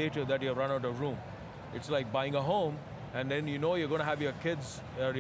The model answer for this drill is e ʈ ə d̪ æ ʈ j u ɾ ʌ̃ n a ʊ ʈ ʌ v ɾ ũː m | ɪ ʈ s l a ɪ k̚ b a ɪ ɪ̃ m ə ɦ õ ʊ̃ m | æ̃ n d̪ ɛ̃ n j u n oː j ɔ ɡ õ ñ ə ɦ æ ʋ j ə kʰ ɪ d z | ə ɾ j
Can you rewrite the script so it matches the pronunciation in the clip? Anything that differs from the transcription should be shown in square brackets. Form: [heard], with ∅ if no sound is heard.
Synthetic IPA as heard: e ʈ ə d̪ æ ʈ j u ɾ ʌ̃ n a ʊ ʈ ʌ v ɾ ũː m | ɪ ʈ s l a ɪ k̚ b a ɪ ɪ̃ [ŋ] ə ɦ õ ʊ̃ m | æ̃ n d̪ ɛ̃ n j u n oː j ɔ ɡ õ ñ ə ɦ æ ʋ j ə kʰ ɪ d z | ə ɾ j